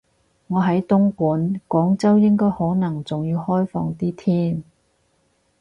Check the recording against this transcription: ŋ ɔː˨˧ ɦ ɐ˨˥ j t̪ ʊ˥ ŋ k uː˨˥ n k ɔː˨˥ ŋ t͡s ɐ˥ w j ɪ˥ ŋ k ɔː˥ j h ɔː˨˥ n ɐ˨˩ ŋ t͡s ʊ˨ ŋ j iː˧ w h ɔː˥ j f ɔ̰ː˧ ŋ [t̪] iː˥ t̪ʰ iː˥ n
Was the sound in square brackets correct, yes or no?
yes